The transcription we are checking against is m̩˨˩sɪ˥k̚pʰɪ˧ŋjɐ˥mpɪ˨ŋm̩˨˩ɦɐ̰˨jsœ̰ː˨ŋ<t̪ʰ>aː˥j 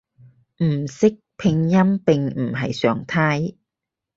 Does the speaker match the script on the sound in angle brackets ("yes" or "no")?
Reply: yes